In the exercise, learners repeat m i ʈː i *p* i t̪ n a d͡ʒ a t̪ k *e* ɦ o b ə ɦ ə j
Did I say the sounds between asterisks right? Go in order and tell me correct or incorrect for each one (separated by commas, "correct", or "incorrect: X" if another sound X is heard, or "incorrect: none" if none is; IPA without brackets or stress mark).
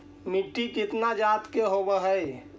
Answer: incorrect: k, correct